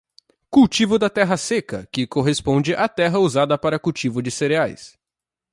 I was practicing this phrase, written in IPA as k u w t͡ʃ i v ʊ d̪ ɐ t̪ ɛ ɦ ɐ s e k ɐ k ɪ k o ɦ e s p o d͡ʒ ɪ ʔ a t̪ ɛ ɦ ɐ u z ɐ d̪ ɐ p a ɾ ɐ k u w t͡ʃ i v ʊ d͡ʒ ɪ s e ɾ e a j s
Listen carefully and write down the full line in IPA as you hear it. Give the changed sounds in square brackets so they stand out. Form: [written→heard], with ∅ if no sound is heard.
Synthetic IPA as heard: k u w t͡ʃ i v ʊ d̪ ɐ t̪ ɛ ɦ ɐ s e k ɐ k ɪ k o ɦ e s p [o→õ] d͡ʒ ɪ ʔ a t̪ ɛ ɦ ɐ u z [ɐ→a] d̪ ɐ p a ɾ ɐ k u w t͡ʃ i v ʊ d͡ʒ ɪ s e ɾ e a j s